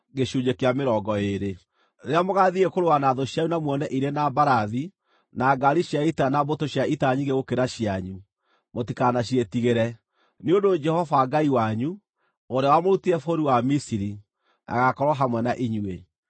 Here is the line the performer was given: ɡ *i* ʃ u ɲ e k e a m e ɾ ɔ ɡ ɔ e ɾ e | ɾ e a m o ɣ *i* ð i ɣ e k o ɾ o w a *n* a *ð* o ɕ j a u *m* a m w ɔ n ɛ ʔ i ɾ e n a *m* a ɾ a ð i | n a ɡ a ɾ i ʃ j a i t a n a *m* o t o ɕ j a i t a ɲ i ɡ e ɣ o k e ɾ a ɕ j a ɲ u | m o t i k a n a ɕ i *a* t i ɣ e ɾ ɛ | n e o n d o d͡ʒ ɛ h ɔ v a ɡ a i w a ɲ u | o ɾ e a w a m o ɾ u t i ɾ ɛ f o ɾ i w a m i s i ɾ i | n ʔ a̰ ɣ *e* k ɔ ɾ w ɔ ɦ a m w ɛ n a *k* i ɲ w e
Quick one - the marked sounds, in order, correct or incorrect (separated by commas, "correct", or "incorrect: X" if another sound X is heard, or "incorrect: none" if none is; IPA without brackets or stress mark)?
incorrect: e, incorrect: a, correct, correct, incorrect: n, incorrect: b, incorrect: b, incorrect: e, incorrect: a, incorrect: ʔ